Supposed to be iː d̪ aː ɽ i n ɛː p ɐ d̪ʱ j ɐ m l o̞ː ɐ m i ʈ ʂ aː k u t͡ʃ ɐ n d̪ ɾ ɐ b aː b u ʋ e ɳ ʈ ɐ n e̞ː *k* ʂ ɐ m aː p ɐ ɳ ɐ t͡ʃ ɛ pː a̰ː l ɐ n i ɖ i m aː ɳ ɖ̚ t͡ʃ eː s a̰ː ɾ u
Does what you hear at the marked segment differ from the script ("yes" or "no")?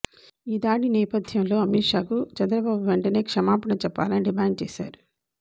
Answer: no